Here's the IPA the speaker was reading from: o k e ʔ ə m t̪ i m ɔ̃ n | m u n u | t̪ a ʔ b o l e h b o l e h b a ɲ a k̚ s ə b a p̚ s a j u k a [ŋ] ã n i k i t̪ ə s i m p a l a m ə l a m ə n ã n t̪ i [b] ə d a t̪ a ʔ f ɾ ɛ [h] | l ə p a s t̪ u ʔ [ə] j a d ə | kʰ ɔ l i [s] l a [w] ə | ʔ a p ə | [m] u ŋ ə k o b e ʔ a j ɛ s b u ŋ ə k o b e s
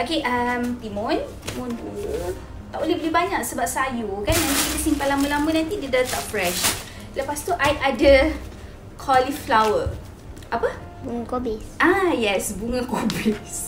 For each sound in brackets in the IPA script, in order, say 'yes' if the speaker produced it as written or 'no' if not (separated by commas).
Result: no, no, no, no, no, yes, no